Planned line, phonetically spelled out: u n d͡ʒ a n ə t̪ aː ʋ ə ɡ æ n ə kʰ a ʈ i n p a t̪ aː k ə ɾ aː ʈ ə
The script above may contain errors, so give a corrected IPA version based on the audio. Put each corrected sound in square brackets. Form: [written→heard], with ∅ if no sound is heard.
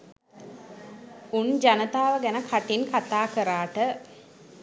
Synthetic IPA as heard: u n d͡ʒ a n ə t̪ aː ʋ ə ɡ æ n ə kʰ a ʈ i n [p→k] a t̪ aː k ə ɾ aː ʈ ə